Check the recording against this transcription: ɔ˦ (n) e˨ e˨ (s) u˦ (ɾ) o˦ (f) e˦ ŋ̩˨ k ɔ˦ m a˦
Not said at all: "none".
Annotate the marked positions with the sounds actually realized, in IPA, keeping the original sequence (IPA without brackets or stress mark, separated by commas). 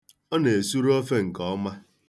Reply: n, s, ɾ, f